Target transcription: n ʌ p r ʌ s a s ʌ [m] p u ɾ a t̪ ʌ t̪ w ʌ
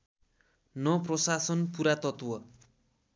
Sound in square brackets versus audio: incorrect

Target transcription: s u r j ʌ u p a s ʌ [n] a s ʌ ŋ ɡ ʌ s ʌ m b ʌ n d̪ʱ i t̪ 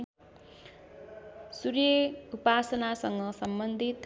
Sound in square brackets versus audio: correct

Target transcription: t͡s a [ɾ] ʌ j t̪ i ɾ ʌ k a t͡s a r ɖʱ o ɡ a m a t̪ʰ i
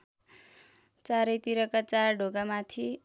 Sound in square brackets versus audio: correct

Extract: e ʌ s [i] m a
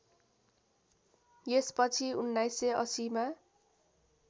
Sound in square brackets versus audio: correct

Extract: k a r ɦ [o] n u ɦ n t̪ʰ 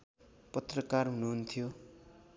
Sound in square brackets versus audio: incorrect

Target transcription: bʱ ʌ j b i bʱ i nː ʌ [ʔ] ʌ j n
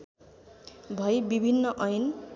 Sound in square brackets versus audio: correct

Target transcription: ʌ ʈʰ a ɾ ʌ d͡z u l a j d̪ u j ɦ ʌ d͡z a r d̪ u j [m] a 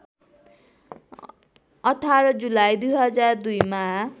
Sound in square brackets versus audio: correct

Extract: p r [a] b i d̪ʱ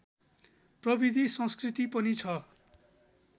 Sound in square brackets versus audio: incorrect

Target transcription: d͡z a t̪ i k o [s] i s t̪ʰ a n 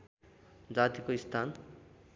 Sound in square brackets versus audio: incorrect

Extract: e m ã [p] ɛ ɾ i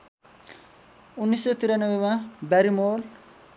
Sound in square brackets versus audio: incorrect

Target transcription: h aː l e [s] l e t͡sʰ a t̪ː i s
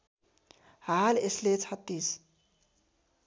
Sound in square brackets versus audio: correct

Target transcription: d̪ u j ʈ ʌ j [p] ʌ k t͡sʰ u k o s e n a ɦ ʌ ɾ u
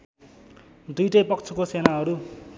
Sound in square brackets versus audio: correct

